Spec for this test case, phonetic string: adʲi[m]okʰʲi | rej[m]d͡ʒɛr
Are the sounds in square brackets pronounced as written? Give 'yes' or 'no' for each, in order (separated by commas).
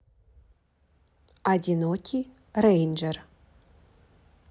no, no